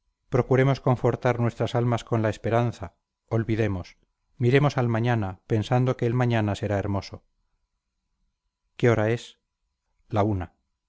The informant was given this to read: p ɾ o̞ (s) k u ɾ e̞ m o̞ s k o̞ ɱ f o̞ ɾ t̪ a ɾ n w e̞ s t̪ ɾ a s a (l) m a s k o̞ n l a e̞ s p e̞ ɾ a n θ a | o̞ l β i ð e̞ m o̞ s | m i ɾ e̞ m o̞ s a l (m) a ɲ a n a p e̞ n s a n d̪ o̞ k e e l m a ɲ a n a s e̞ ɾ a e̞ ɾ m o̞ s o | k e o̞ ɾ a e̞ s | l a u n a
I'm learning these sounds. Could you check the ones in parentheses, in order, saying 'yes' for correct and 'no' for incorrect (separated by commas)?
no, yes, yes